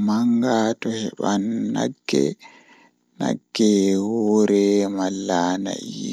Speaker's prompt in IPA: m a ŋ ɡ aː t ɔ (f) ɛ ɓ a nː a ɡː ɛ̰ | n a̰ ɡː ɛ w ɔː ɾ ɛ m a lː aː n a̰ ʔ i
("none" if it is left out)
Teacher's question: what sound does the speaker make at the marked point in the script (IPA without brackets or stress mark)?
h